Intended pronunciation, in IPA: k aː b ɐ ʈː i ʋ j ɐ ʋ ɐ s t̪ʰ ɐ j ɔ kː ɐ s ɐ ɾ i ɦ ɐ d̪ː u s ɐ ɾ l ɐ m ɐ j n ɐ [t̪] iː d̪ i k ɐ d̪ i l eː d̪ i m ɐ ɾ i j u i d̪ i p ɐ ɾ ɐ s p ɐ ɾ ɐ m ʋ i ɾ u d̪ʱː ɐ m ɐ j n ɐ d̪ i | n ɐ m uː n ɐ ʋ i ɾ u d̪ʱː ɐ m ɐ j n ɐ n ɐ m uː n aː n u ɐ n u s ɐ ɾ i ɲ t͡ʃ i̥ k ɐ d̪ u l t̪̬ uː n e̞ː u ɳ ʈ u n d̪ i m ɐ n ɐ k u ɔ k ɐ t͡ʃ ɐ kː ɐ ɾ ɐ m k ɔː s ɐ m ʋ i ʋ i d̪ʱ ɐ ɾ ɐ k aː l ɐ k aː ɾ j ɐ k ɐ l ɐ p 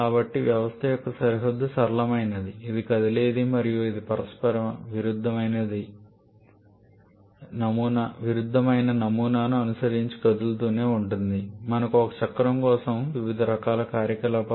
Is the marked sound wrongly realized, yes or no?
yes